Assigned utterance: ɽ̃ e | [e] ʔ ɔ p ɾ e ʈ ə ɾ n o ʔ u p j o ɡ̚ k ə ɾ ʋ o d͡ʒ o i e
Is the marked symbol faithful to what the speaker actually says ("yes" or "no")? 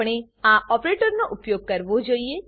no